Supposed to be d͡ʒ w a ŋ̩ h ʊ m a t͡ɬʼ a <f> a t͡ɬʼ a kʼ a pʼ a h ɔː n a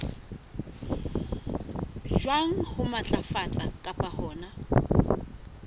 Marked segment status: correct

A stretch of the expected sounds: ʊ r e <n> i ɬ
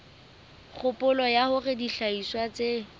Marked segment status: incorrect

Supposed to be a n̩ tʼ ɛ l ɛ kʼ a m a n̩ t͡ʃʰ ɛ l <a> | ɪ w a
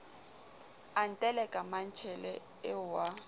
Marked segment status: incorrect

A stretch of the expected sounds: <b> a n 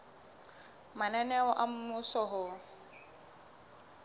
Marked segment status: incorrect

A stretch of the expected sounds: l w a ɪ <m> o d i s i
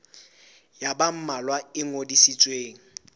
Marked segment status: incorrect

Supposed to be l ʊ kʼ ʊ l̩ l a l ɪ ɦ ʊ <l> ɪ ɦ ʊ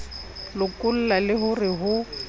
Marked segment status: incorrect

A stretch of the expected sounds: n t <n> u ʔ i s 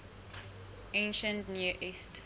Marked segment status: correct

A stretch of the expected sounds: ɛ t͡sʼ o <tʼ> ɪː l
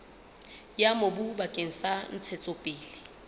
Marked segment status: incorrect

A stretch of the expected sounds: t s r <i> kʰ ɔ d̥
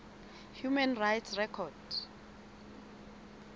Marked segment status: incorrect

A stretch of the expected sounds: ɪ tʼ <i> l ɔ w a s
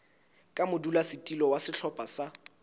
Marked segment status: correct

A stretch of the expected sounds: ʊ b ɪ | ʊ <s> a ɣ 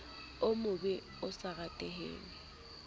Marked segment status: correct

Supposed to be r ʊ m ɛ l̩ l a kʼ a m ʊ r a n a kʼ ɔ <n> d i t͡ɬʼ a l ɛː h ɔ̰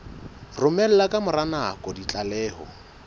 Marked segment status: incorrect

